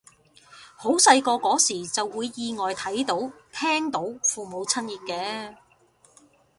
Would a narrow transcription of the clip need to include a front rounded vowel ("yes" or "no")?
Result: no